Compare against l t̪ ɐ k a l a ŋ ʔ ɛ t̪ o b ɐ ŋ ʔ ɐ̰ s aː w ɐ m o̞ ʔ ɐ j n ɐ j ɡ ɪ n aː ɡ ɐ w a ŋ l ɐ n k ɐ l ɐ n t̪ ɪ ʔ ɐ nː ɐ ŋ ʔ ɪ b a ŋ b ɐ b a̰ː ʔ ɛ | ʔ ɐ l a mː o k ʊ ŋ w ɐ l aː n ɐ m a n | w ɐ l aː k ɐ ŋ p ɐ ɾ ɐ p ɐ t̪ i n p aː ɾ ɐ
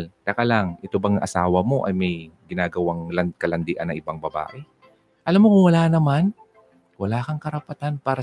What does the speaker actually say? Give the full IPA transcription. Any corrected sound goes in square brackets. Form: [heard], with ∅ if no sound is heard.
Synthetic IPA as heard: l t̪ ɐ k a l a ŋ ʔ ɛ t̪ o b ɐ ŋ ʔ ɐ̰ s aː w ɐ m o̞ ʔ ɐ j [m] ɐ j ɡ ɪ n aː ɡ ɐ w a ŋ l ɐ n k ɐ l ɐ n [d̪] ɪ ʔ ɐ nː ɐ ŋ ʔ ɪ b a ŋ b ɐ b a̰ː ʔ ɛ | ʔ ɐ l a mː o k ʊ ŋ w ɐ l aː n ɐ m a n | w ɐ l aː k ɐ ŋ [k] ɐ ɾ ɐ p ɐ t̪ [a] n p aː ɾ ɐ